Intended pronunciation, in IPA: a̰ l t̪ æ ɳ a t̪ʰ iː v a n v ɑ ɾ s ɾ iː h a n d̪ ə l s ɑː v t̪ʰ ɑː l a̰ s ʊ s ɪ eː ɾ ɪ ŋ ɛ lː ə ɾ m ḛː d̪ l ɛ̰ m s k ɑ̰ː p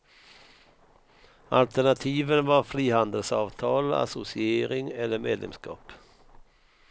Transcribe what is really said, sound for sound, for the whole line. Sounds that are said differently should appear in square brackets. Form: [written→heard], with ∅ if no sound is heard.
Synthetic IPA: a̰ l t̪ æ ɳ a t̪ʰ iː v [a→ə] n v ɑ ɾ [s→f] ɾ iː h a n d̪ ə l s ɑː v t̪ʰ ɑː l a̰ s ʊ s ɪ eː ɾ ɪ ŋ ɛ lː ə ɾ m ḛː d̪ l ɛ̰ m s k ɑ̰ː p